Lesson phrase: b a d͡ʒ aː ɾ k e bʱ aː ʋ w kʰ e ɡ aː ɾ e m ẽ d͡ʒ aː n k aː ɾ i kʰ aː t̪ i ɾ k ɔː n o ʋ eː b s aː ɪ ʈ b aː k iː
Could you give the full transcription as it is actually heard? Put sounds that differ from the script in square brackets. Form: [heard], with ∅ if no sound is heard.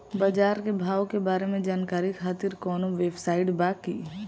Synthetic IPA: b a d͡ʒ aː ɾ k e bʱ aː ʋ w [k] e [b] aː ɾ e m ẽ d͡ʒ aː n k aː ɾ i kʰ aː t̪ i ɾ k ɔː n o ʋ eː b s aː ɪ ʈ b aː k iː